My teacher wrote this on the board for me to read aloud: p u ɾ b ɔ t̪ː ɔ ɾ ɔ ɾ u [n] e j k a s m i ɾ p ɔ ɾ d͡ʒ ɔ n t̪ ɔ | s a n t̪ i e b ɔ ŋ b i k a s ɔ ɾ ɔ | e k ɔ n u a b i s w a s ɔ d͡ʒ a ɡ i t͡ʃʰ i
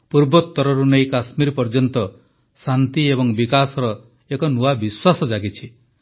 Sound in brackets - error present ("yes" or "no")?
no